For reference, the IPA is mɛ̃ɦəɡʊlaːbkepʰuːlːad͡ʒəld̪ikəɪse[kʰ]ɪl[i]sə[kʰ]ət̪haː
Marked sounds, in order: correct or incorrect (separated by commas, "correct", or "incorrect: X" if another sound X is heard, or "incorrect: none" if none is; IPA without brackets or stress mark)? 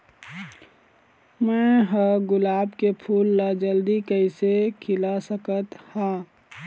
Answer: correct, incorrect: a, incorrect: k